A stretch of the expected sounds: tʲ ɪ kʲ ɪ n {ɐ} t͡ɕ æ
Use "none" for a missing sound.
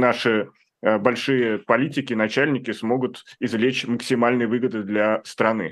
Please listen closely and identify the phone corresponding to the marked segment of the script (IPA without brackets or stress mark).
ɐ